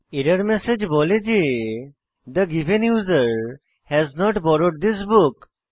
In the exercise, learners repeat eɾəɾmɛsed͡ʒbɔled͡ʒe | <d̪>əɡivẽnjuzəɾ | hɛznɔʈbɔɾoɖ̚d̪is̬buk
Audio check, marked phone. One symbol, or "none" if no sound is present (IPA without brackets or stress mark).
d̪